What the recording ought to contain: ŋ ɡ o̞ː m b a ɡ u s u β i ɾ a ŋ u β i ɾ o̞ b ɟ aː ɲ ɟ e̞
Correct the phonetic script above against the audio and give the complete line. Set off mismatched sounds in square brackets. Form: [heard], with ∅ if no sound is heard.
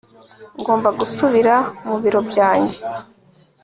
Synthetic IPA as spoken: ŋ ɡ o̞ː m b a ɡ u s u β i ɾ a [m] u β i ɾ o̞ b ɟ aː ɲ ɟ e̞

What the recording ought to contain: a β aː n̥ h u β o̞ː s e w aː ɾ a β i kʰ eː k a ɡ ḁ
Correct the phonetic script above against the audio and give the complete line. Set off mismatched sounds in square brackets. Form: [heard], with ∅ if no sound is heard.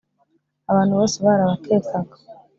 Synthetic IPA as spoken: a β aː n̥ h u β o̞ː s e [β] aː ɾ a β [a] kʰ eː k a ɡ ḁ

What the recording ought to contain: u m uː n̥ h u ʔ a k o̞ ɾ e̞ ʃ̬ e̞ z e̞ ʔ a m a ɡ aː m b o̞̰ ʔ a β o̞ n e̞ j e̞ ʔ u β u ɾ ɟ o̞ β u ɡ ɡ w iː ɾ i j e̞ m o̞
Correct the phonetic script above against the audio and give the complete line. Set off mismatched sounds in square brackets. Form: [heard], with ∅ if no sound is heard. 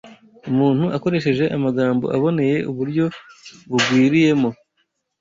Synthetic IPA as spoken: u m uː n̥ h u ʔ a k o̞ ɾ e̞ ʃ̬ e̞ [ʒ] e̞ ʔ a m a ɡ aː m b o̞̰ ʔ a β o̞ n e̞ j e̞ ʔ u β u ɾ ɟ o̞ β u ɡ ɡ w iː ɾ i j e̞ m o̞

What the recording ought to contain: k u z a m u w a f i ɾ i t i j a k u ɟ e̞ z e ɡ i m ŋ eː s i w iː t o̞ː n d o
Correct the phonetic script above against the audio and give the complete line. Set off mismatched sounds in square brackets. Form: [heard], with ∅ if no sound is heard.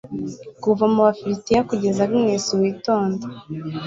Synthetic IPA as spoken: k u [v] a m u [β] a f i ɾ i t i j a k u ɟ e̞ z [a] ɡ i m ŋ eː s i w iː t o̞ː n d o

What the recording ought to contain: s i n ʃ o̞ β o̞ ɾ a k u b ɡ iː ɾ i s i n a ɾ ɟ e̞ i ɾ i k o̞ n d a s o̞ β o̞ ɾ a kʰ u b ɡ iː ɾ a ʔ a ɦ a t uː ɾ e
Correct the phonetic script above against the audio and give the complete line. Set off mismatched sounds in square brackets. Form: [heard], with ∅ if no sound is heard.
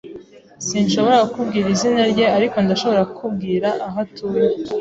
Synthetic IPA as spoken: s i n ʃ o̞ β o̞ ɾ a k u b ɡ iː ɾ i [z] i n a ɾ ɟ e̞ [a] ɾ i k o̞ n d a [ʃ] o̞ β o̞ ɾ a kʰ u b ɡ iː ɾ a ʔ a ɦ a t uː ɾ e

